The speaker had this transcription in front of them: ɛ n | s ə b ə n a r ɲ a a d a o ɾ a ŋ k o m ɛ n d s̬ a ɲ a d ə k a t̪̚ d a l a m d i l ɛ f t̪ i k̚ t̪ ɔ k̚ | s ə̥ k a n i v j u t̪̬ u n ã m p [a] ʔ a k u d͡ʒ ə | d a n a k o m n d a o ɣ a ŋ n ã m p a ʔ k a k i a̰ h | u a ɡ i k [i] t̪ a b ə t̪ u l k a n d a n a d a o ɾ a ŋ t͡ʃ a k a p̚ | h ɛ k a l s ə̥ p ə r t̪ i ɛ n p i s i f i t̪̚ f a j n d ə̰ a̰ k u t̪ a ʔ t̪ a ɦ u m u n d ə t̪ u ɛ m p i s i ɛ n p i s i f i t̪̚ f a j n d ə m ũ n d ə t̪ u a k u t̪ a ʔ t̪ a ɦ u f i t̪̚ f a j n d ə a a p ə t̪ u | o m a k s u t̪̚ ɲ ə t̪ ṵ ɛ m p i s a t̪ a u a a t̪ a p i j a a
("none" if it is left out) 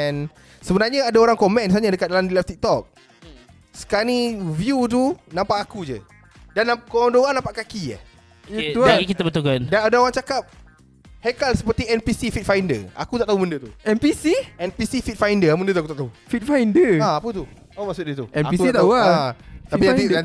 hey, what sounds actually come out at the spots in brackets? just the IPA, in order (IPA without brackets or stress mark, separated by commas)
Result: a, i